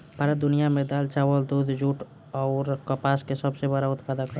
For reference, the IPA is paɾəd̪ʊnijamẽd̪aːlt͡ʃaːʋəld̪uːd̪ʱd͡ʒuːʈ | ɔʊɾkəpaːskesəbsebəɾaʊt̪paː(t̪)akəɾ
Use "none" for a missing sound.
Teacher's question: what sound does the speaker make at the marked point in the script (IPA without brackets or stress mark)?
d̪